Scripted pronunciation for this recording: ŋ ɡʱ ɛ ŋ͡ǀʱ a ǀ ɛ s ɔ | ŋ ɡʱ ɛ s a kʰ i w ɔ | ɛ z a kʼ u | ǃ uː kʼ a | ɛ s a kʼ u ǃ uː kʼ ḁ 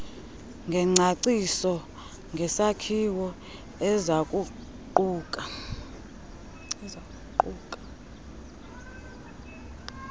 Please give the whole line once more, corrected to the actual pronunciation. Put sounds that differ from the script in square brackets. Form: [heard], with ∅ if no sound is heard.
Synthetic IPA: ŋ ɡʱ ɛ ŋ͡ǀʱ a ǀ [i] s ɔ | ŋ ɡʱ ɛ s a kʰ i w ɔ | ɛ z a kʼ u | ǃ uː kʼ a | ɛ [z] a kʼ u ǃ uː kʼ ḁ